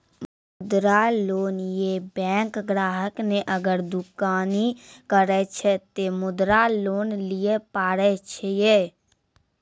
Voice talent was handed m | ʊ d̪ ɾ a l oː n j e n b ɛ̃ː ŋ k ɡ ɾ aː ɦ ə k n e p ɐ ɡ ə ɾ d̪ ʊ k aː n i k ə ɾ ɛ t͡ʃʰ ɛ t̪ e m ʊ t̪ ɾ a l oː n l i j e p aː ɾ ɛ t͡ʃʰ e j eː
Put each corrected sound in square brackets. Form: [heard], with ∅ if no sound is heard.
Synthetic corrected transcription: m | ʊ d̪ ɾ a l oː n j e [∅] b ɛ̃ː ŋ k ɡ ɾ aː ɦ ə k n e [ʔ] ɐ ɡ ə ɾ d̪ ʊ k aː n i k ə ɾ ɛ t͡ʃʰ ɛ t̪ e m ʊ [d̪] ɾ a l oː n l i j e p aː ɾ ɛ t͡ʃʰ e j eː